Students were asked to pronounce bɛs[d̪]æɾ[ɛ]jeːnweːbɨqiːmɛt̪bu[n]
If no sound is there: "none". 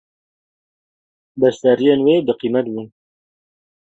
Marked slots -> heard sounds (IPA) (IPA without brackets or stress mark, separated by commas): t̪, i, n